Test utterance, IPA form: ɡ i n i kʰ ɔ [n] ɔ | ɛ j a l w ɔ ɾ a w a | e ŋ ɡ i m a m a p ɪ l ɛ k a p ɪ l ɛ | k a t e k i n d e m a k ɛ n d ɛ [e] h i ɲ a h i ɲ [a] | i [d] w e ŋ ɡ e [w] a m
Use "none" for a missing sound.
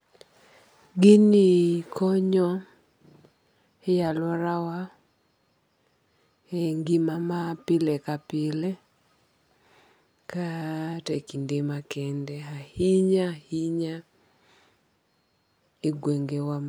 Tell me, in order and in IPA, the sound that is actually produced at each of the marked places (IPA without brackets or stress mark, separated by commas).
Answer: ɲ, a, a, ɡ, w